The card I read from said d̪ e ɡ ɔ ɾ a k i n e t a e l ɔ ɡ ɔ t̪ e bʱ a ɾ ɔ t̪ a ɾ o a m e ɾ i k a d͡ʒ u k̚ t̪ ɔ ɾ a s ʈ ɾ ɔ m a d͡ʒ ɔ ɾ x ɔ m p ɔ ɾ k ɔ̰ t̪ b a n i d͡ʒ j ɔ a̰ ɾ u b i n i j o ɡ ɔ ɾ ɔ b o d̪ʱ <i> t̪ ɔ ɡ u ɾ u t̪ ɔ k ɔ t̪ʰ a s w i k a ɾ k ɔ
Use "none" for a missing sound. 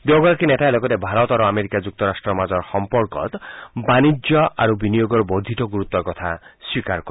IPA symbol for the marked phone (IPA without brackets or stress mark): i